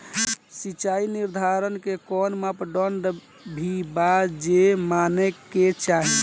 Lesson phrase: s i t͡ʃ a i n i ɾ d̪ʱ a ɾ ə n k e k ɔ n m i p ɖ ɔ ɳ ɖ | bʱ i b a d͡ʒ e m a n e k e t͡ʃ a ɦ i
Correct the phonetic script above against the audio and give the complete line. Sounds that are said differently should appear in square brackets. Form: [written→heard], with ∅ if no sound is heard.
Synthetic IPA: s i t͡ʃ a i n i ɾ d̪ʱ a ɾ ə n k e k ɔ n m [i→a] p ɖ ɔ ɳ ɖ | bʱ i b a d͡ʒ e m a n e k e t͡ʃ a ɦ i